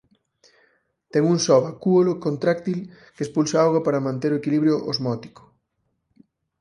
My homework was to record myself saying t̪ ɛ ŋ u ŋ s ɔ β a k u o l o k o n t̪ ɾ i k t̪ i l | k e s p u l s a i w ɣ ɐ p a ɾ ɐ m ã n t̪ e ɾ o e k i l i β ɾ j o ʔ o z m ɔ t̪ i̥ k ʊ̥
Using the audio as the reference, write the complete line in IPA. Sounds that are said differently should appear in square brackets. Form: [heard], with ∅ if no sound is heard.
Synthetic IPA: t̪ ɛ ŋ u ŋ s ɔ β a k u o l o k o n t̪ ɾ [a] k t̪ i l | k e s p u l s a [a] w ɣ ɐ p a ɾ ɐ m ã n t̪ e ɾ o e k i l i β ɾ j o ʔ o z m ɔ t̪ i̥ k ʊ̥